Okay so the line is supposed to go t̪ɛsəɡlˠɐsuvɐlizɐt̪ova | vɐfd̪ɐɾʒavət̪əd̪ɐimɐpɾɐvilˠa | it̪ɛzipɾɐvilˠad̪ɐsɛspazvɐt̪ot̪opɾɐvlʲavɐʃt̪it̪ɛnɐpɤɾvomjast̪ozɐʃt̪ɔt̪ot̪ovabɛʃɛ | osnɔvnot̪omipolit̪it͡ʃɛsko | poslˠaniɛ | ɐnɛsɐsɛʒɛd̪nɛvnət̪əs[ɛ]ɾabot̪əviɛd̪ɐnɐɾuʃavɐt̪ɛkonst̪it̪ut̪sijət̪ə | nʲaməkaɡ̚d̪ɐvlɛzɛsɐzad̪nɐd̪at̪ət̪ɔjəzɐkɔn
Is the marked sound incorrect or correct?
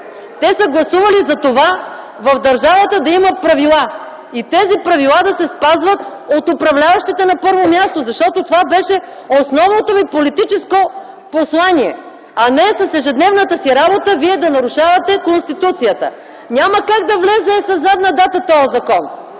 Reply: incorrect